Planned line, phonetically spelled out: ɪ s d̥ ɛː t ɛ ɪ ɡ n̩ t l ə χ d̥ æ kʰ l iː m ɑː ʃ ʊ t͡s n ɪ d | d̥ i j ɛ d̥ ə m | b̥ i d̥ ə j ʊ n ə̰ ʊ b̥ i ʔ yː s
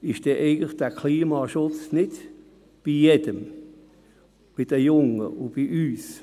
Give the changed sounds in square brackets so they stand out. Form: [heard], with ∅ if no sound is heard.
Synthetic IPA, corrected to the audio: ɪ [ʃ] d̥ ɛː [ʔ] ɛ ɪ ɡ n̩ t l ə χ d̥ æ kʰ l iː m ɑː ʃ ʊ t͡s n ɪ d | [b̥] i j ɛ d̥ ə m | b̥ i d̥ ə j ʊ [ŋ] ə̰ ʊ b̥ i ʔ yː s